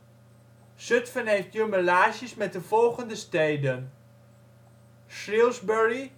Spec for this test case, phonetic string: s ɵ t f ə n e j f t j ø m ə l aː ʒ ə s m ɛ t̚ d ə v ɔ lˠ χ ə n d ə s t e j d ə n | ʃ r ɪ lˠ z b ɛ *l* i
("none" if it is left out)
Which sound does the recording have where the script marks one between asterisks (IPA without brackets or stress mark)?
ɹ